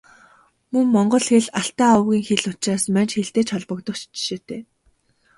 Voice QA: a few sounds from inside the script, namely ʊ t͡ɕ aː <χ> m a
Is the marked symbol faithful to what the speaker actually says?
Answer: no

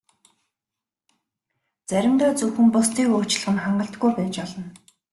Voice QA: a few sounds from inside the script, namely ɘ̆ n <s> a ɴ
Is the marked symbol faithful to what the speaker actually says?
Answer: no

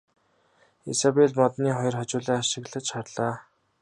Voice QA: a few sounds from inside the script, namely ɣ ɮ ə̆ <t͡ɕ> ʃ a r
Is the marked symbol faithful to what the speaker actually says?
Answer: yes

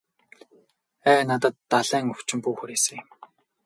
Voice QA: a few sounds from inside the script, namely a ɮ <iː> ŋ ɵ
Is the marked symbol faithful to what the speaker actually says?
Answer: no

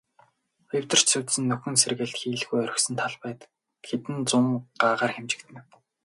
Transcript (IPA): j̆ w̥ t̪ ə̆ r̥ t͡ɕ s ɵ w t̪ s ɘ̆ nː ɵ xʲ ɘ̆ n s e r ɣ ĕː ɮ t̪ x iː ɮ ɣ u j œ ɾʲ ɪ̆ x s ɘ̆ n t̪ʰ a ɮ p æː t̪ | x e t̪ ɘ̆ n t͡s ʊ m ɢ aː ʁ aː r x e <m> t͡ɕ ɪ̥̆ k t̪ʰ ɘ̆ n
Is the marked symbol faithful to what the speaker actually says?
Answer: yes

